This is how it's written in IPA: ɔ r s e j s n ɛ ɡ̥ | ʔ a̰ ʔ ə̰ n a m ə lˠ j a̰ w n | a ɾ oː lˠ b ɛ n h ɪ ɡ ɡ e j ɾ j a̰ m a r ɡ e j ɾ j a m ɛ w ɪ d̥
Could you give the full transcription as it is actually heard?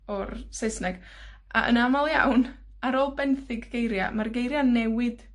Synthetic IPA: ɔ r s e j s n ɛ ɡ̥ | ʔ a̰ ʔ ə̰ n a m a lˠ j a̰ w n | a ɾ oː lˠ b ɛ n θ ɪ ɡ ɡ e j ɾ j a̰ m a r ɡ e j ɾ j a n ɛ w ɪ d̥

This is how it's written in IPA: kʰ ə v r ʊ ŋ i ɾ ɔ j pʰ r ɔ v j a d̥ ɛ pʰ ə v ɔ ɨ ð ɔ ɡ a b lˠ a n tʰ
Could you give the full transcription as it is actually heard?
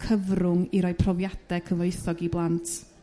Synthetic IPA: kʰ ə v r ʊ ŋ i ɾ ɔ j pʰ r ɔ v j a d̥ ɛ kʰ ə v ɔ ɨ θ ɔ ɡ i b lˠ a n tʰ

